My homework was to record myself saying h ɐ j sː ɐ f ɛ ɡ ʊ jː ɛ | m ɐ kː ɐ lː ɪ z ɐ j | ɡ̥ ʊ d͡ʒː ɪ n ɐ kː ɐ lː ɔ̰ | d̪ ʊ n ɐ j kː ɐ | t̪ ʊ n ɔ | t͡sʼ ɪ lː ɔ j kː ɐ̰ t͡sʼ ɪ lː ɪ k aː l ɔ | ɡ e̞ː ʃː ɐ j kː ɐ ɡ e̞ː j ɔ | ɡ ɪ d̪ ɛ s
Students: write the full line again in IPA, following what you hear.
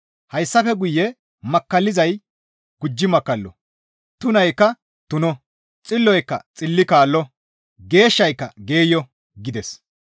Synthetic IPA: h ɐ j sː ɐ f ɛ ɡ ʊ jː ɛ | m ɐ kː ɐ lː ɪ z ɐ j | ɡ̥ ʊ d͡ʒː ɪ m ɐ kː ɐ lː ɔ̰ | t̪ ʊ n ɐ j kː ɐ | t̪ ʊ n ɔ | t͡sʼ ɪ lː ɔ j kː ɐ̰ t͡sʼ ɪ lː ɪ k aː lː ɔ | ɡ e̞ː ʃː ɐ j kː ɐ ɡ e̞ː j ɔ | ɡ ɪ d̪ ɛ s

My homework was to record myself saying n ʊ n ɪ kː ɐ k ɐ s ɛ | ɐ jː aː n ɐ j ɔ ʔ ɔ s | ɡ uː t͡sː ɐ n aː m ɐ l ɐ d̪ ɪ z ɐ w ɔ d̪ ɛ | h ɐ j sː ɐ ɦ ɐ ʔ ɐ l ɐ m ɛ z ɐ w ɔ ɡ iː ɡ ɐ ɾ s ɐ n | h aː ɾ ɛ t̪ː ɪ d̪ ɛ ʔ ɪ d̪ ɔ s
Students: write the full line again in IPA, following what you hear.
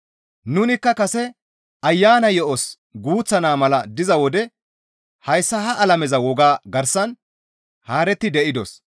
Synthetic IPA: n ʊ n ɪ kː ɐ k ɐ s ɛ | ɐ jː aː n ɐ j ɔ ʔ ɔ s | ɡ uː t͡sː ɐ n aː m ɐ l ɐ d̪ ɪ z ɐ w ɔ d̪ ɛ | h ɐ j sː ɐ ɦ ɐ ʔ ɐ l ɐ m ɛ z ɐ w ɔ ɡ aː ɡ ɐ ɾ s ɐ n | h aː ɾ ɛ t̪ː ɪ d̪ ɛ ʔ ɪ d̪ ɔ s

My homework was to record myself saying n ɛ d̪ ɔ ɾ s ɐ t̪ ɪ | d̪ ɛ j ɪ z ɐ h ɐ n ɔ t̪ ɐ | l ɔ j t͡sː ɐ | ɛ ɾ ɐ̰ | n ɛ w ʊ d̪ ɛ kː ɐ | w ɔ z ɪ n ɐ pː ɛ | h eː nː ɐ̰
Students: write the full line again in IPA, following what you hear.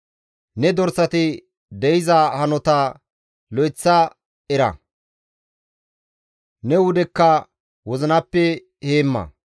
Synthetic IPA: n ɛ d̪ ɔ ɾ s ɐ t̪ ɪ | d̪ ɛ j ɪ z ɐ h ɐ n ɔ t̪ ɐ | l ɔ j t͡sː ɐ | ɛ ɾ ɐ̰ | n ɛ w ʊ d̪ ɛ kː ɐ | w ɔ z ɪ n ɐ pː ɛ | h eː mː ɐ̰

